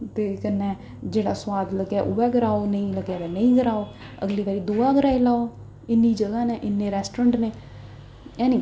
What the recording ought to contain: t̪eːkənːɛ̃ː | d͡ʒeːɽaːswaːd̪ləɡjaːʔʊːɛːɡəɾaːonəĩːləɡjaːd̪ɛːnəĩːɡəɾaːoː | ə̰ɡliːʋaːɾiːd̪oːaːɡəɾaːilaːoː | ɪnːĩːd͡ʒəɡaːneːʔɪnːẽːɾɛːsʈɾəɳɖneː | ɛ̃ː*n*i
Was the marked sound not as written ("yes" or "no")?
no